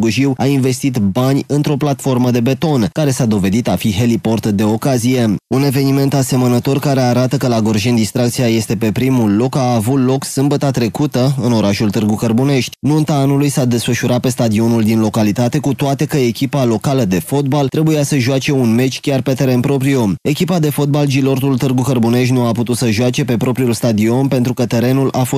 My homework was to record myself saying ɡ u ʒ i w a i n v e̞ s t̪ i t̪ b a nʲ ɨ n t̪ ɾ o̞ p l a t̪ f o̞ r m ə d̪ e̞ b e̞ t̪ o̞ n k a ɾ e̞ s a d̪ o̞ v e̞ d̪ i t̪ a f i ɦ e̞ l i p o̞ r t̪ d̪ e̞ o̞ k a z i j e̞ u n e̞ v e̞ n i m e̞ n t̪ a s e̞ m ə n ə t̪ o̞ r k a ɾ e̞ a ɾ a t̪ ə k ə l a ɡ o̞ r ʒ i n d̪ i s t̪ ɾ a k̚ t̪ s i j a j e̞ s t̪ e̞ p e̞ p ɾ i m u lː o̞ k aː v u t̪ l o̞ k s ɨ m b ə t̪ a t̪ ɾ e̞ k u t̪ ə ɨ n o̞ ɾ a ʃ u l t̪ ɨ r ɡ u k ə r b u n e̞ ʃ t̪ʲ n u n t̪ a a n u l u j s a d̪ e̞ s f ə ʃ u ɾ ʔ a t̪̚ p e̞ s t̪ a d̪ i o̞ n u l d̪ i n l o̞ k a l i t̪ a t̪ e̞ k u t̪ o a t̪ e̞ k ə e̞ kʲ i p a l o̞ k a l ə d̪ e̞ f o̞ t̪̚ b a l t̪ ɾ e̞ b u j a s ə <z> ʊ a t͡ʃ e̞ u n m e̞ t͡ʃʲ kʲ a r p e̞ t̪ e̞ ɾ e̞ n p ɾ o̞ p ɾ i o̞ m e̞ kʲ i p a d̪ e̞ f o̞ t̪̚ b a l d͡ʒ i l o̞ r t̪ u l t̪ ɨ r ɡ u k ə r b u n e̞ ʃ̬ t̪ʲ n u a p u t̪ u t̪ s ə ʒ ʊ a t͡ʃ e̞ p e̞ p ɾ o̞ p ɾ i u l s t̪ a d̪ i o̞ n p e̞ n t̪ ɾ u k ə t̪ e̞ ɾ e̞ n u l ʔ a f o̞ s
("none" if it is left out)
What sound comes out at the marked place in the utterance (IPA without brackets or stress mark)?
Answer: ʒ